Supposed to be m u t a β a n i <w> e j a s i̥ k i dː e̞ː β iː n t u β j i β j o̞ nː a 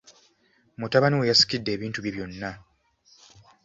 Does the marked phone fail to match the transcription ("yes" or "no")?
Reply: no